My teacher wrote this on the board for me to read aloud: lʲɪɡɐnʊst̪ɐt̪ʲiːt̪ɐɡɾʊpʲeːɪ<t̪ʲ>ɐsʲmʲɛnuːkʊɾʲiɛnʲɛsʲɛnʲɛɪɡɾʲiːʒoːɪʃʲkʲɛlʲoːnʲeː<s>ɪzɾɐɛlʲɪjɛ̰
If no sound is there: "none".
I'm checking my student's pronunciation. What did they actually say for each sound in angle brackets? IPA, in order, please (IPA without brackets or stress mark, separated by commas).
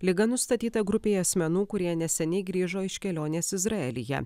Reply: none, s